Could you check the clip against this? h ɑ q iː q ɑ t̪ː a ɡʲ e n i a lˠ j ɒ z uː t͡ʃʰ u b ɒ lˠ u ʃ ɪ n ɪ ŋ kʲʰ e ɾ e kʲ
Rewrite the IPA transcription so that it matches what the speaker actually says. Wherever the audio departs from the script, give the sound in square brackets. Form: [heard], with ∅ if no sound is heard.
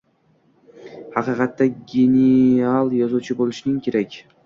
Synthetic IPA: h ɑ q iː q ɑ t̪ː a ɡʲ e n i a lˠ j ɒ z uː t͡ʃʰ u b [o] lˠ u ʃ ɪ n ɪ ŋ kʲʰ e ɾ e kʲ